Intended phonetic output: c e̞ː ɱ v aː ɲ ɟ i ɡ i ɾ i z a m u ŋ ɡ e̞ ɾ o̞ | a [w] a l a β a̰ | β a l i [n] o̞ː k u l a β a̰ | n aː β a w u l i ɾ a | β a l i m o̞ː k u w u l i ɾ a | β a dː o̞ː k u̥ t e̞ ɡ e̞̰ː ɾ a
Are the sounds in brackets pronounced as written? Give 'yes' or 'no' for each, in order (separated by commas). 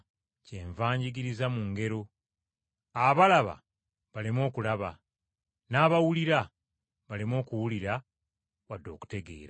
no, no